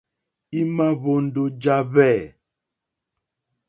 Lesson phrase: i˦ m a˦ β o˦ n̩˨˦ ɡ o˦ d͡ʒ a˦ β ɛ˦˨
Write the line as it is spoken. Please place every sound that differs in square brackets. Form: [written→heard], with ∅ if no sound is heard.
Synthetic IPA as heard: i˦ m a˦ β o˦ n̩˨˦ [ɡ→d] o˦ d͡ʒ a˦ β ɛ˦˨